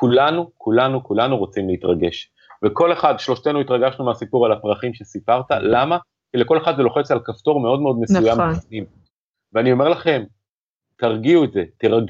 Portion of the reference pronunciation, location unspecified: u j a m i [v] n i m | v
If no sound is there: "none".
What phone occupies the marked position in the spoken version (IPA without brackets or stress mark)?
f